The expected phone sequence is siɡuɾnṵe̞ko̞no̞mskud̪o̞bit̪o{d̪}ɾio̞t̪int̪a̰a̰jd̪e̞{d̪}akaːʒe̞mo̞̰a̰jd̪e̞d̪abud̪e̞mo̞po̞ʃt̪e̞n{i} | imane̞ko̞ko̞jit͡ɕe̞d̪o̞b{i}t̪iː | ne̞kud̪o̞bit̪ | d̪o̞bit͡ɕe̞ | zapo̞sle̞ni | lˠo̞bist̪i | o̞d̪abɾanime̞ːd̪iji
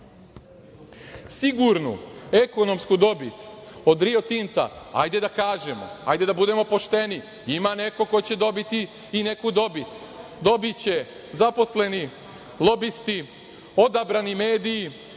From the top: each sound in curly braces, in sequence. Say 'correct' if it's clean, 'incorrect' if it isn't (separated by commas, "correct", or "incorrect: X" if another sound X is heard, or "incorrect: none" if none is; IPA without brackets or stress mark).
correct, correct, correct, correct